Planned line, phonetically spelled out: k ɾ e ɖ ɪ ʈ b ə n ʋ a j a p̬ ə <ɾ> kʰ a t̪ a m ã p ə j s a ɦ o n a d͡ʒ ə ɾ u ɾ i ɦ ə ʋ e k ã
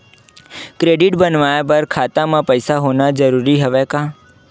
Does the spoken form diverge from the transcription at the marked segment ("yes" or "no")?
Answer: no